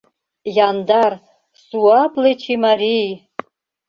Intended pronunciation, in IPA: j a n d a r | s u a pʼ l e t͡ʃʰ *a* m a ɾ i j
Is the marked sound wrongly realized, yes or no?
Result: yes